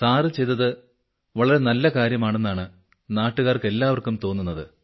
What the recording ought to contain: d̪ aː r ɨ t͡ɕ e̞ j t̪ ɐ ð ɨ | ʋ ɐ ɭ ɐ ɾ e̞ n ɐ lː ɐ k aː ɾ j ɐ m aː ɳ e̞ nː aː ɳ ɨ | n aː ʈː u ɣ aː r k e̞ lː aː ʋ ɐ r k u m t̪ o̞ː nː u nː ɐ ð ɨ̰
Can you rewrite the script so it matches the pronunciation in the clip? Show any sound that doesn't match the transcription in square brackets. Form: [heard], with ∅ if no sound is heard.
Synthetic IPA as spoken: [t̪] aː r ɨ t͡ɕ e̞ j t̪ ɐ ð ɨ | ʋ ɐ ɭ ɐ ɾ e̞ n ɐ lː ɐ k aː ɾ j ɐ m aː ɳ e̞ nː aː ɳ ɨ | n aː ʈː u ɣ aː r k e̞ lː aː ʋ ɐ r k u m t̪ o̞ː nː u nː ɐ ð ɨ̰